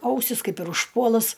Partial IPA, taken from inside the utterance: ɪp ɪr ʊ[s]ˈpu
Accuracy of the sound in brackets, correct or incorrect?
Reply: incorrect